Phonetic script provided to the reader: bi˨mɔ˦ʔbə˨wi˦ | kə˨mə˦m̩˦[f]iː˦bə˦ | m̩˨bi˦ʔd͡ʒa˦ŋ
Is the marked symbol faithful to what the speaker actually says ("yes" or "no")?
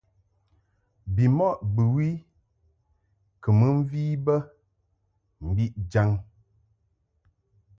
no